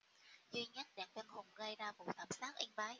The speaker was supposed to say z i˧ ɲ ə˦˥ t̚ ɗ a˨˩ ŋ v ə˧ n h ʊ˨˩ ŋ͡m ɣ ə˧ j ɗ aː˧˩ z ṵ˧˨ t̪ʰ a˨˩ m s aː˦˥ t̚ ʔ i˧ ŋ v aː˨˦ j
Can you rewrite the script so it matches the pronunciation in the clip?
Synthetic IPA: z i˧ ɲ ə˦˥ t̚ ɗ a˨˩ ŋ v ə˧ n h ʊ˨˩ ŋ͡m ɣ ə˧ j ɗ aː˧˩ v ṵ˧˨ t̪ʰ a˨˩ m s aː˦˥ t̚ ʔ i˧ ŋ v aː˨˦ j

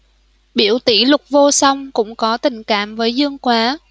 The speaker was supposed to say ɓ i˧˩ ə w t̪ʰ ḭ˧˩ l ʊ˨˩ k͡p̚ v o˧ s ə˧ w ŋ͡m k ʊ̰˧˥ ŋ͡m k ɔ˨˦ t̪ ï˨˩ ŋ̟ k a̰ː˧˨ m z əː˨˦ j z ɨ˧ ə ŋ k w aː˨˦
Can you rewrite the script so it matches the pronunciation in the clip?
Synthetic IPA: ɓ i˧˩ ə w t̪ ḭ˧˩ l ʊ˨˩ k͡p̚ v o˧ s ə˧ w ŋ͡m k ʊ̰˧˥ ŋ͡m k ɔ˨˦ t̪ ï˨˩ ŋ̟ k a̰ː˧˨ m v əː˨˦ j z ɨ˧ ə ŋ k w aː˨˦

